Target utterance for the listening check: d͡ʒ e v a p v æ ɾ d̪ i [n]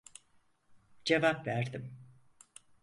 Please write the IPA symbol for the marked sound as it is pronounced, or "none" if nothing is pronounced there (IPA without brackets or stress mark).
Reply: m